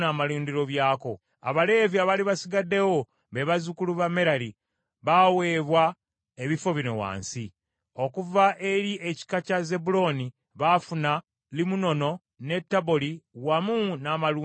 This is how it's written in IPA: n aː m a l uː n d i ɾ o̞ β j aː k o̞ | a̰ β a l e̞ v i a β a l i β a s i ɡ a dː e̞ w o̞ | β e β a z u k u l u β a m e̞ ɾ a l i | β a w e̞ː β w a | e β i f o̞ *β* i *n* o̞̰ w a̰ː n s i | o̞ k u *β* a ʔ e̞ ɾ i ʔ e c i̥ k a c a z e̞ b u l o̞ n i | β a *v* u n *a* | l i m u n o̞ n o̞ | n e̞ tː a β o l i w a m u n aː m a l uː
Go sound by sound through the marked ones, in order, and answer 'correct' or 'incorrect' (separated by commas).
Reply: correct, correct, incorrect, incorrect, correct